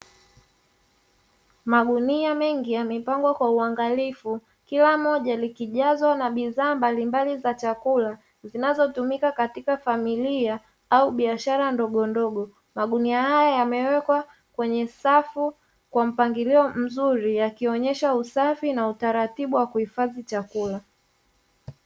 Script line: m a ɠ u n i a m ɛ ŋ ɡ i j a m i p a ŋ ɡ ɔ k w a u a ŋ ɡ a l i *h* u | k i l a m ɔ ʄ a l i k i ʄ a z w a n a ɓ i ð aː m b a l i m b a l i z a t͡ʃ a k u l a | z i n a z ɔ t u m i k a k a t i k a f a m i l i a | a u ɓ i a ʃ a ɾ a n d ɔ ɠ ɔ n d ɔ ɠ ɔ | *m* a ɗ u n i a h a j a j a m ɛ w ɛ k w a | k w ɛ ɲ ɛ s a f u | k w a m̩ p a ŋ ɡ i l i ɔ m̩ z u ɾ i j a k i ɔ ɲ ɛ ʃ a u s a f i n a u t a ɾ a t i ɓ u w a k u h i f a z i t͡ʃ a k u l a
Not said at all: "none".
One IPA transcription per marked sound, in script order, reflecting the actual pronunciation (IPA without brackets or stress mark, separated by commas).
f, m